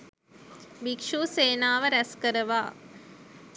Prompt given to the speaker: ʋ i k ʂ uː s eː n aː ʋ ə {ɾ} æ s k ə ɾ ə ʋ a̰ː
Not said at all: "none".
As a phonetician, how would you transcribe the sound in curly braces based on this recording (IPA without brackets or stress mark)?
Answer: ɾ